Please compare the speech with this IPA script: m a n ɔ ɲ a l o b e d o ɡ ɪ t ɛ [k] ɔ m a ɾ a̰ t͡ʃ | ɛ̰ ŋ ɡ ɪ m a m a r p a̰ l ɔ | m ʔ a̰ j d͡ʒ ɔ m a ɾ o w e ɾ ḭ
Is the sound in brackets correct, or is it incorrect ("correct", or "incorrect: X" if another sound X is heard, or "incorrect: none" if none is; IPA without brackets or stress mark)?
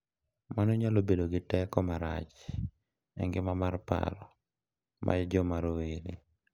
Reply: correct